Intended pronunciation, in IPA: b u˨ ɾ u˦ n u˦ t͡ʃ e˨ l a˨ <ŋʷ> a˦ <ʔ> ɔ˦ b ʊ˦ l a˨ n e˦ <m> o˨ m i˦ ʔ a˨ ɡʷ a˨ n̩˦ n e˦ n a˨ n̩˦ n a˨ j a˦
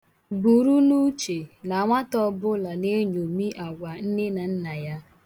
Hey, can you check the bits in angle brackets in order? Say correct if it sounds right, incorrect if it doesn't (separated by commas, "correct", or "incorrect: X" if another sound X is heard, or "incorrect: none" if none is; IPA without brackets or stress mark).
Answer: correct, incorrect: t, incorrect: ɲ